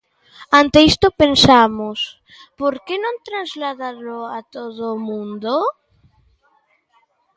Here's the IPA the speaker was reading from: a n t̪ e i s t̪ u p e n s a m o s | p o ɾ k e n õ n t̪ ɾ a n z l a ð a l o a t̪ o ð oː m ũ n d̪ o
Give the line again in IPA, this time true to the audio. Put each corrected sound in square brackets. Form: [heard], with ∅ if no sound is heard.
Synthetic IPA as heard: a n t̪ e i s t̪ [o] p e n s a m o s | p o ɾ k e n õ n t̪ ɾ a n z l a ð a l o a t̪ o ð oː m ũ n d̪ o